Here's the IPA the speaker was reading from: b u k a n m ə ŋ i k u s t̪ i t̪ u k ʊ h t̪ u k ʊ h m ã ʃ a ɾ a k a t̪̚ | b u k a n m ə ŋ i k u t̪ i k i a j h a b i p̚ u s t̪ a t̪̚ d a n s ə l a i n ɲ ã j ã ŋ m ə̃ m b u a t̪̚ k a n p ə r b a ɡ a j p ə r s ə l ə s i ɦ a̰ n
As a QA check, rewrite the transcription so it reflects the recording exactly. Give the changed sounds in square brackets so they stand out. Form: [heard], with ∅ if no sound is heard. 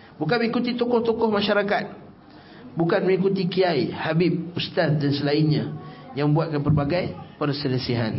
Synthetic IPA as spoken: b u k a n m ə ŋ i k u [∅] t̪ i t̪ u k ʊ h t̪ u k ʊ h m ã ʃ a ɾ a k a t̪̚ | b u k a n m ə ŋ i k u t̪ i k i a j h a b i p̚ u s t̪ a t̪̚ d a n s ə l a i n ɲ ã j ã ŋ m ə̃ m b u a t̪̚ k a n p ə r b a ɡ a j p ə r s ə l ə s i ɦ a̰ n